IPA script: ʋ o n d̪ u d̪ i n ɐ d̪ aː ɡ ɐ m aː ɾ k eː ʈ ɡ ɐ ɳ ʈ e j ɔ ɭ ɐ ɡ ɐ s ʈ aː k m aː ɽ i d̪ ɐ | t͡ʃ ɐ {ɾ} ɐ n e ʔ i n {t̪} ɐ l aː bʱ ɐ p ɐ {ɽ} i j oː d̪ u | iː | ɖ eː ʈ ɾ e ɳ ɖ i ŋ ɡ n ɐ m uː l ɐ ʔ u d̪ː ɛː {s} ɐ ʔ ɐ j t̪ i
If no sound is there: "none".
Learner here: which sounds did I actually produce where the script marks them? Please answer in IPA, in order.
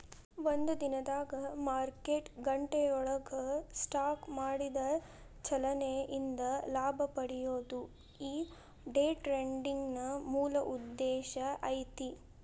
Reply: l, d̪, ɽ, ʃ

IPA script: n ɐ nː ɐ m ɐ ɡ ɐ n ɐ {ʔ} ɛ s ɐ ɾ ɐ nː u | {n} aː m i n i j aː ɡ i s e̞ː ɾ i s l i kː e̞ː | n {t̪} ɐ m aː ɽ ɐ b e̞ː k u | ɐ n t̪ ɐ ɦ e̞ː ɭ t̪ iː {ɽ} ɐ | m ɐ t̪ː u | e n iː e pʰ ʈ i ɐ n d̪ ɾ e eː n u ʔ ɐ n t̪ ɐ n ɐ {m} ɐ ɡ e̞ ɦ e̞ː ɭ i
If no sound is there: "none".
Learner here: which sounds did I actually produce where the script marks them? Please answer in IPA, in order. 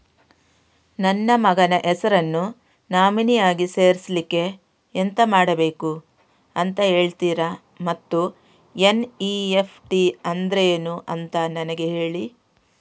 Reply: ʔ, n, t̪, ɾ, n

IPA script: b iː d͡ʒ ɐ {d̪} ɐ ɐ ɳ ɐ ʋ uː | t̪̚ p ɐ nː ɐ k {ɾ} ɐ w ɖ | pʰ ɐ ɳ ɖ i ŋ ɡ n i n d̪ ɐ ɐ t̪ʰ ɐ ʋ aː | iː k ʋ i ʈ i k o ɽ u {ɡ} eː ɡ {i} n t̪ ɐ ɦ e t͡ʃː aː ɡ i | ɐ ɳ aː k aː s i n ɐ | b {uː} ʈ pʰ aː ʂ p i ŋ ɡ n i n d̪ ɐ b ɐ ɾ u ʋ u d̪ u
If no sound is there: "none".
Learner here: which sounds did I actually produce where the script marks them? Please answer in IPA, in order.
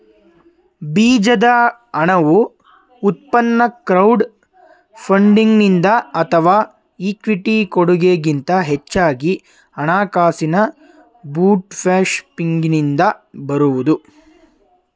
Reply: d̪, ɾ, ɡ, i, uː

